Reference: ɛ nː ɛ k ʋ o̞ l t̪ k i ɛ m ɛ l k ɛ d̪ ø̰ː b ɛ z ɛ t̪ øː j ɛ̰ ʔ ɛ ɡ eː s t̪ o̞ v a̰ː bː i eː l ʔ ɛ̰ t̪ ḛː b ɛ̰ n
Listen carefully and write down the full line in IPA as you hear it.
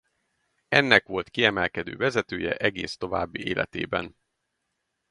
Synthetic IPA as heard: ɛ nː ɛ k ʋ o̞ l t̪ k i ɛ m ɛ l k ɛ d̪ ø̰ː v ɛ z ɛ t̪ øː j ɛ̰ ʔ ɛ ɡ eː s t̪ o̞ v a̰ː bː i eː l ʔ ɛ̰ t̪ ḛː b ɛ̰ n